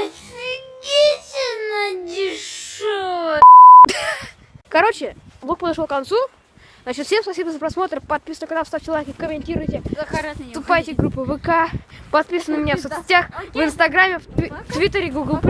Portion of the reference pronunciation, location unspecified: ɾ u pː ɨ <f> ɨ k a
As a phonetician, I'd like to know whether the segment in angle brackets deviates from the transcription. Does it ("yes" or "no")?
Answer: yes